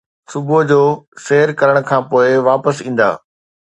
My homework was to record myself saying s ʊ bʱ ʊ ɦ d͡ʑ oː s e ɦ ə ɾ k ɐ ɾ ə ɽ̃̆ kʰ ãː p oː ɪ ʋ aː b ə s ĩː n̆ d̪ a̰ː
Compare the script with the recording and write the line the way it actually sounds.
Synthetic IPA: s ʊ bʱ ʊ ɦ d͡ʑ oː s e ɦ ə ɾ k ɐ ɾ ə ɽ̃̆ kʰ ãː p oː ɪ ʋ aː p ə s ĩː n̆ d̪ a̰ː